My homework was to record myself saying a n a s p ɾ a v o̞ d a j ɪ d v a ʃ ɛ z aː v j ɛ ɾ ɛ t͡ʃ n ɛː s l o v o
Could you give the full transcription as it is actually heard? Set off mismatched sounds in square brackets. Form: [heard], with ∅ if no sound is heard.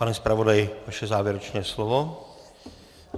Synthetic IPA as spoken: a n [ɛ] s p ɾ a v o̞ d a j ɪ [∅] v a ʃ ɛ z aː v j ɛ ɾ ɛ t͡ʃ n ɛː s l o v o